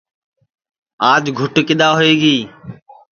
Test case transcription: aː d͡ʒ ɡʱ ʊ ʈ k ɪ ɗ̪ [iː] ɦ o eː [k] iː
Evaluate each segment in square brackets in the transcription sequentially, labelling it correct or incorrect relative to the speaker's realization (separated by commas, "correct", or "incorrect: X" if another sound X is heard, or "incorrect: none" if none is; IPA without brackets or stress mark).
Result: incorrect: aː, incorrect: ɡ